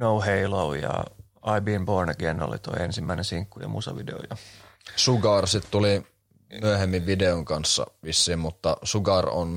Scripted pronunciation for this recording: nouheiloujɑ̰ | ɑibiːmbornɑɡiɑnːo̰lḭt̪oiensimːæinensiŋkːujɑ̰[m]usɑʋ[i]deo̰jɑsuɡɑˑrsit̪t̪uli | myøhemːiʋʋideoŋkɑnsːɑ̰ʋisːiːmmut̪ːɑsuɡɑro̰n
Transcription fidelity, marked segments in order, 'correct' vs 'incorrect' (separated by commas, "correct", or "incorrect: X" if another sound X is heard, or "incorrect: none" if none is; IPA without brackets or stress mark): correct, correct